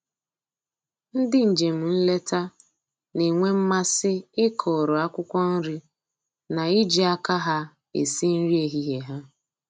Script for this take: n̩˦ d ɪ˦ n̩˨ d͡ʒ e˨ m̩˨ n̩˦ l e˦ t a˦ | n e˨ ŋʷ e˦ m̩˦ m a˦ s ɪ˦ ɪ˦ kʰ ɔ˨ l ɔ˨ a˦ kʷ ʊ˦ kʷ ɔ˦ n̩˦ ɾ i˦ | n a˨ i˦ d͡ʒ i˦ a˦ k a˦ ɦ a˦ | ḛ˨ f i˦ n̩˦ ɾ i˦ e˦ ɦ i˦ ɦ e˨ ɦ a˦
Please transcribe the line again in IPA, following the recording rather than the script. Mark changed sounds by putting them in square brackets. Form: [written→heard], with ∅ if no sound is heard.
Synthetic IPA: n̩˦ d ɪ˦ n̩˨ d͡ʒ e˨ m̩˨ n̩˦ l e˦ t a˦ | n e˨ ŋʷ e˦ m̩˦ m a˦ s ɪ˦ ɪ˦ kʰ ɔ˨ [l→ɾ] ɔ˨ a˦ kʷ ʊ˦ kʷ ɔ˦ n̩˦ ɾ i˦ | n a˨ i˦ d͡ʒ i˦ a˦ k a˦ ɦ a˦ | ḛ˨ [f→s] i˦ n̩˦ ɾ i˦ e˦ ɦ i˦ ɦ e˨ ɦ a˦